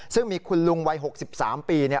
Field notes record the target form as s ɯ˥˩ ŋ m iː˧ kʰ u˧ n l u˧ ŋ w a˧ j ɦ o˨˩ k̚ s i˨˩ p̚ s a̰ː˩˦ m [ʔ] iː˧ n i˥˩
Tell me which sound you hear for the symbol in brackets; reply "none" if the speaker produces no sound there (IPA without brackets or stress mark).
p